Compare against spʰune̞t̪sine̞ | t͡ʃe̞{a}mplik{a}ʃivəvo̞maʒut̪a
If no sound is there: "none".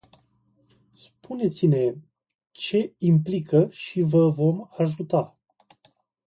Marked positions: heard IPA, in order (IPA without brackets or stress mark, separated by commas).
i, ə